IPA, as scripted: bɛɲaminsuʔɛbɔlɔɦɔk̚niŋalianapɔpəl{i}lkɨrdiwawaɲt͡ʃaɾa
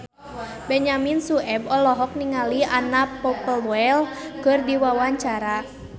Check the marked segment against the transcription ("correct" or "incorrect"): incorrect